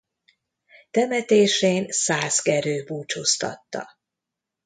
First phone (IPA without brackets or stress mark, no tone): t̪